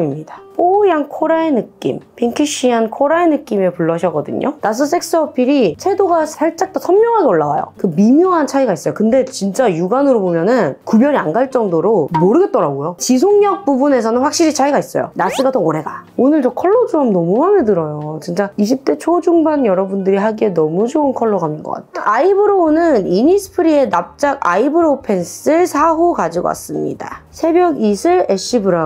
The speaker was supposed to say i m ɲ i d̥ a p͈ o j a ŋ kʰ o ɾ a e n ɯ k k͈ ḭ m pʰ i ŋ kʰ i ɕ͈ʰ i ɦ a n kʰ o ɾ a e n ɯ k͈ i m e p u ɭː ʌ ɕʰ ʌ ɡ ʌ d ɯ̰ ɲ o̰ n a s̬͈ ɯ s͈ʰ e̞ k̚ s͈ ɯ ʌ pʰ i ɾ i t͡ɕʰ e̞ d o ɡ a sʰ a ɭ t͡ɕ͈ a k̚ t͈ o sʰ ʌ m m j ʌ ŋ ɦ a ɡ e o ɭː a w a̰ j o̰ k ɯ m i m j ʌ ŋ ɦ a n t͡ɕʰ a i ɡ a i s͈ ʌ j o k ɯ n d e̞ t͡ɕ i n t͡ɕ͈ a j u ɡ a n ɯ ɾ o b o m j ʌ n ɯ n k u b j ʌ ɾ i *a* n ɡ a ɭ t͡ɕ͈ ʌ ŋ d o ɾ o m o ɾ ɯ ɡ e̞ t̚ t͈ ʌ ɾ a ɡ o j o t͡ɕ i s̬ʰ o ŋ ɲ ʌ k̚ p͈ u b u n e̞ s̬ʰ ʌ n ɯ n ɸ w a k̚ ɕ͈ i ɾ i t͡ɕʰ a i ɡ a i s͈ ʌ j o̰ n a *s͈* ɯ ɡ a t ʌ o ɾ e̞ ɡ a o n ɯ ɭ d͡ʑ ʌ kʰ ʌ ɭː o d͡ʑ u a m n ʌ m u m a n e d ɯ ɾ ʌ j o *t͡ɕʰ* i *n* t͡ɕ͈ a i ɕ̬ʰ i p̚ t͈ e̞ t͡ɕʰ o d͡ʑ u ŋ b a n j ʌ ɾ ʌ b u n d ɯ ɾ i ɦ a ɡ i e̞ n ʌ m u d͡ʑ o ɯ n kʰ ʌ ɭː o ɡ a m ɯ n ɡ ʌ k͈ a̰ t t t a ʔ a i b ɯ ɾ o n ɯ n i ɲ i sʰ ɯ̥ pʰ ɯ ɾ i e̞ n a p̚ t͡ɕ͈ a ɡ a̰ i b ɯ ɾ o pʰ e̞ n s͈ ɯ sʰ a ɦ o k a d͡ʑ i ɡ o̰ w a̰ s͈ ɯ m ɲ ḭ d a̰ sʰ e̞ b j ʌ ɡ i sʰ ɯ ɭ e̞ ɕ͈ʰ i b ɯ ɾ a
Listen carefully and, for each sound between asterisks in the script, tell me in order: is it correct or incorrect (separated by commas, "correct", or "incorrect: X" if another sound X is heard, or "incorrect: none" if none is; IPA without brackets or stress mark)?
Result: correct, correct, incorrect: t͡ɕ, correct